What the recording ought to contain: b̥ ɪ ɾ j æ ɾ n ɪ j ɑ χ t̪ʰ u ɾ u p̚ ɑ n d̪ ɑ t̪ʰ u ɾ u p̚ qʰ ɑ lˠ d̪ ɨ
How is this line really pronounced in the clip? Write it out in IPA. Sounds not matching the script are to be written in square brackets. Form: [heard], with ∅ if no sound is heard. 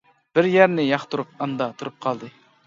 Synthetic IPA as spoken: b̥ ɪ ɾ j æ ɾ n ɪ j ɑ χ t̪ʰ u ɾ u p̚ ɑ n d̪ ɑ t̪ʰ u ɾ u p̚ qʰ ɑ lˠ d̪ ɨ